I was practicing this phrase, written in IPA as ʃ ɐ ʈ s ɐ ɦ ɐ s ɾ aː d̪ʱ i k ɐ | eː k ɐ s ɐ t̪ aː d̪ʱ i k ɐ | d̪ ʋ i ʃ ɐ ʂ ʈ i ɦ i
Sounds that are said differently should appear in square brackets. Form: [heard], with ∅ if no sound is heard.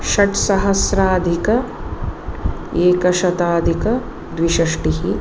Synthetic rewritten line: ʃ ɐ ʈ s ɐ ɦ ɐ s ɾ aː d̪ʱ i k ɐ | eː k ɐ [ʃ] ɐ t̪ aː d̪ʱ i k ɐ | d̪ ʋ i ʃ ɐ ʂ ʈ i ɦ i